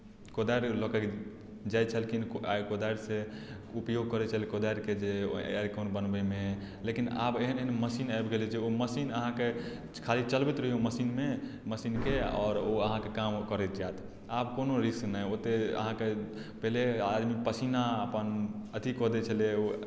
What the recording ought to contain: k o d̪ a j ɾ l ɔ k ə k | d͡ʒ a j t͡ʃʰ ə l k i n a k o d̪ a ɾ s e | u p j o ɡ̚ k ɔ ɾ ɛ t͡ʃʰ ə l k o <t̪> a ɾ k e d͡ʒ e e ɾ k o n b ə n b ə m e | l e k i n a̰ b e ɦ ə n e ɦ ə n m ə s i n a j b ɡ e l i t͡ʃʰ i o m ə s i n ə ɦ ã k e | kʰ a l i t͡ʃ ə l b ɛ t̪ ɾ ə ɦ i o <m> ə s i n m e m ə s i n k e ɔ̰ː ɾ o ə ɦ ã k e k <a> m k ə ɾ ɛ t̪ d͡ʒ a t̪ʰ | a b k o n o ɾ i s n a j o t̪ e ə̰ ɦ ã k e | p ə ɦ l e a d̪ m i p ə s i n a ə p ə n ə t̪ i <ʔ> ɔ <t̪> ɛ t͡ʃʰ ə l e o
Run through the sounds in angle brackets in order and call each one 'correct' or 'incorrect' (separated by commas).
incorrect, correct, correct, incorrect, incorrect